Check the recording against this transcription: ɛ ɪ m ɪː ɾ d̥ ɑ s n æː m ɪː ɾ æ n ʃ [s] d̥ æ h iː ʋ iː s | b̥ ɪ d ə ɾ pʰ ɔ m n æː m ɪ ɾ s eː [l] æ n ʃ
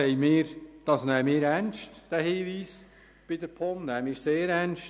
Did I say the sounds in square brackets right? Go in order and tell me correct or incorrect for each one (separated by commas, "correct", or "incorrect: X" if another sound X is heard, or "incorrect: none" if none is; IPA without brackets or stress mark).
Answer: incorrect: t, incorrect: ɾ